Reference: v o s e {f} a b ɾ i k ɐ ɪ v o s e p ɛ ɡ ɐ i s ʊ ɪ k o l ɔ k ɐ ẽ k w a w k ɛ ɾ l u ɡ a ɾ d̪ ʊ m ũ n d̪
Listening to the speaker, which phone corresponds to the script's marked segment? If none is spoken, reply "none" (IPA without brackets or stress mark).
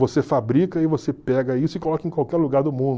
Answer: f